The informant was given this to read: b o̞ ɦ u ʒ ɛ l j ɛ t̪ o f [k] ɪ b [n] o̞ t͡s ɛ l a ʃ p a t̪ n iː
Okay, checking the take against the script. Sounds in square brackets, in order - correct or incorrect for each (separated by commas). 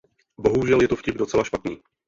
incorrect, incorrect